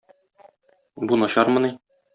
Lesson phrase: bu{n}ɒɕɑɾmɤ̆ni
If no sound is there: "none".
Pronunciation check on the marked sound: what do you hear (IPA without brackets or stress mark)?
n